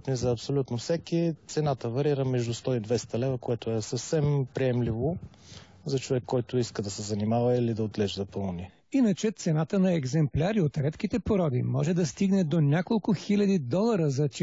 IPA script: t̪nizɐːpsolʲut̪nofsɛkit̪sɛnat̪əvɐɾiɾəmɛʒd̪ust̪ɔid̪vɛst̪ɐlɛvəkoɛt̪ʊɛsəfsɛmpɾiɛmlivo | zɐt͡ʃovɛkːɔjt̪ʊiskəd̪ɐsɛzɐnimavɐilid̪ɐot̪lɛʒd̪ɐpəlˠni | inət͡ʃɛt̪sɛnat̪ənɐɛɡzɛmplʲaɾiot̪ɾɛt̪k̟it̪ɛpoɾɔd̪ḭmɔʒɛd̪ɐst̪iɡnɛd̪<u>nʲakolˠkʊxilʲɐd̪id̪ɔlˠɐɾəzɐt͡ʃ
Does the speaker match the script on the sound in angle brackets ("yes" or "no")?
no